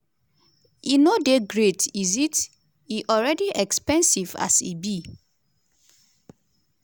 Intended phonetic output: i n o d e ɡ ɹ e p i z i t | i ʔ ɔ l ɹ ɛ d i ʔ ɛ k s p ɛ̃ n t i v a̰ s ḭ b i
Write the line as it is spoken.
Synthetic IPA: i n o d e ɡ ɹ e t i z i t | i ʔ ɔ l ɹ ɛ d i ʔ ɛ k s p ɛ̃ n s i v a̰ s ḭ b i